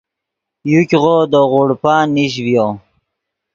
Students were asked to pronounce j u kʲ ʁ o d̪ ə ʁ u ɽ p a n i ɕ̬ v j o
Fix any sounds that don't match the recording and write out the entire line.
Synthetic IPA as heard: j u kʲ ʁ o d̪ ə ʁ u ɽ p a n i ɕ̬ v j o

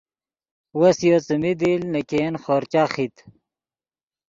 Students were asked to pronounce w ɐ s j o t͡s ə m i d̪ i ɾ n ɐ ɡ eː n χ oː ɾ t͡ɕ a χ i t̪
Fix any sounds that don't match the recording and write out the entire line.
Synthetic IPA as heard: w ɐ s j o t͡s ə m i d̪ i l n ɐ k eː n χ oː ɾ t͡ɕ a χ i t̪

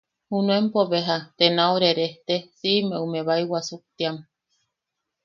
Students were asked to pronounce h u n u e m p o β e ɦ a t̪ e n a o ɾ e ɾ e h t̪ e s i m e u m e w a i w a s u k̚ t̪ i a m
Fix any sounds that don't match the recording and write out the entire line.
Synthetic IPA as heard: h u n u e m p o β e ɦ a t̪ e n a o ɾ e ɾ e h t̪ e s i m e u m e β a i w a s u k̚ t̪ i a m

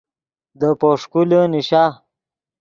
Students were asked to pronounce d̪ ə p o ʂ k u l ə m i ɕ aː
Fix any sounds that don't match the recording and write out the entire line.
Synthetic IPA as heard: d̪ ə p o ʂ k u l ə n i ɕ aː

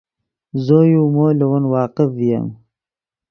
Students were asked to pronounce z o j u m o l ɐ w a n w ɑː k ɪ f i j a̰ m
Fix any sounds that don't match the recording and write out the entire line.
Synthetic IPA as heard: z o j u m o l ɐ w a n w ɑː q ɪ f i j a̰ m

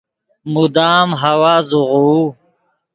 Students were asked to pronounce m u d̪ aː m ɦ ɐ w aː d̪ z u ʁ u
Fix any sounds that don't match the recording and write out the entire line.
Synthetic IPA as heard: m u d̪ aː m ɦ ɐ w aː z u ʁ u

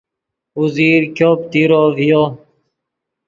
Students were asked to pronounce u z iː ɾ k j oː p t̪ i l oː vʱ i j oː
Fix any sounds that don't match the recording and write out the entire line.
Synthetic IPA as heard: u z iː ɾ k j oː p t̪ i ɾ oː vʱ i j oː

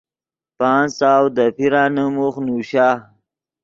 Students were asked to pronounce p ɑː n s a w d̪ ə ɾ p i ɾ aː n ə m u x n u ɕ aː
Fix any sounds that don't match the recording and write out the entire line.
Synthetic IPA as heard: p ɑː n s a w d̪ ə p i ɾ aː n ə m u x n u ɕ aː

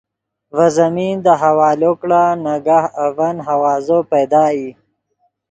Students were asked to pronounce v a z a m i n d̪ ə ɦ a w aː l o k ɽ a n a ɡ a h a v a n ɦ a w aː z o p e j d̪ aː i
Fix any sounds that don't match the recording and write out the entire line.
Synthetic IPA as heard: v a z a m i n d̪ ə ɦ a w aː l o k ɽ a n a ɡ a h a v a n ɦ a w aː z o p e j d̪ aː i

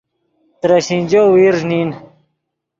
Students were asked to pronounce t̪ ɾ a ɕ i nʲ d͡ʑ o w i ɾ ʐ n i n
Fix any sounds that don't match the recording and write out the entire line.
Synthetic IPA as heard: t̪ ɾ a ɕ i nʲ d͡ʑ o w i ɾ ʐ n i n

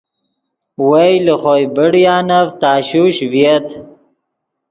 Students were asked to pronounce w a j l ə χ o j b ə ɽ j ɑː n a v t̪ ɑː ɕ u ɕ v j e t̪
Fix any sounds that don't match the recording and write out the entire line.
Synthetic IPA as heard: w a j l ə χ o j b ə ɽ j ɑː n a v t̪ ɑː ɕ u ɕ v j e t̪

